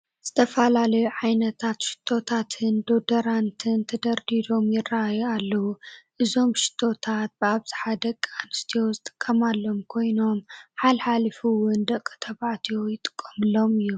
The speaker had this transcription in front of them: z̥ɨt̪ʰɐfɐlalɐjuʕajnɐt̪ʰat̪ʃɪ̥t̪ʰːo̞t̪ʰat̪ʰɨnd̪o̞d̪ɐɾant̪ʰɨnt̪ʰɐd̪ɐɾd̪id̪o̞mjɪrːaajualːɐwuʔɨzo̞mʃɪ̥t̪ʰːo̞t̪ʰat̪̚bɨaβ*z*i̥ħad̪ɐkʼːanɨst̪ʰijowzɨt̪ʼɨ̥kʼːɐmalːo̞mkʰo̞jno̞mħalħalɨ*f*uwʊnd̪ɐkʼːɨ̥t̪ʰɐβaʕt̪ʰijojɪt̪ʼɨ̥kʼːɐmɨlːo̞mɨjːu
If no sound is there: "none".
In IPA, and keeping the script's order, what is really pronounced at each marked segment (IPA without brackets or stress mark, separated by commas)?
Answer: z, f